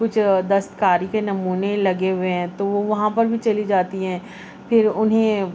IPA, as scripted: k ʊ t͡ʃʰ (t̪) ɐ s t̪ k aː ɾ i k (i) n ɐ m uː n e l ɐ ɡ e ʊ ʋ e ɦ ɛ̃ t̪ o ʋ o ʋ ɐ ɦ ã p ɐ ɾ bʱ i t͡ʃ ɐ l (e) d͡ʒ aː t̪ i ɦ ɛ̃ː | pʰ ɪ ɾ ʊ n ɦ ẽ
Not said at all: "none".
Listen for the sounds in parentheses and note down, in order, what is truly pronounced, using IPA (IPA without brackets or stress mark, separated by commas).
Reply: d̪, e, i